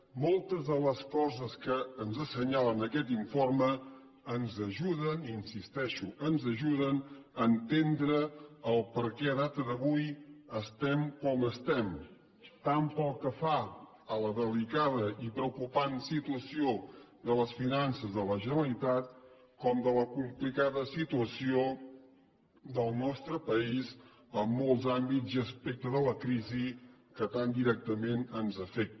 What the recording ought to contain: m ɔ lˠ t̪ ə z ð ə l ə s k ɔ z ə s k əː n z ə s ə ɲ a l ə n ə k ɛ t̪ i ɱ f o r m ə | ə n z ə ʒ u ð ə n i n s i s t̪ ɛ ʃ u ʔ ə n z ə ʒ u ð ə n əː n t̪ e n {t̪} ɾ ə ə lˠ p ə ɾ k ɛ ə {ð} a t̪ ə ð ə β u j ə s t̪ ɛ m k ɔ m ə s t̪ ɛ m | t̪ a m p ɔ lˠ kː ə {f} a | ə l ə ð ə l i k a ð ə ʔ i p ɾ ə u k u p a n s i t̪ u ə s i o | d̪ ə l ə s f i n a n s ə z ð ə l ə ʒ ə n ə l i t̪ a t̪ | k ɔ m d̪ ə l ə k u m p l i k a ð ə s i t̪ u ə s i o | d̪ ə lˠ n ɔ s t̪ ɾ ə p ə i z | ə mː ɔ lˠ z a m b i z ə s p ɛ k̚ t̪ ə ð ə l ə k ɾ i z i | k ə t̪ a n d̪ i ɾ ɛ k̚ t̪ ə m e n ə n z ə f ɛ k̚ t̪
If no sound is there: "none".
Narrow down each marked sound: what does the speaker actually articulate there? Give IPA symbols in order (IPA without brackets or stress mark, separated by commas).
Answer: d̪, ð, f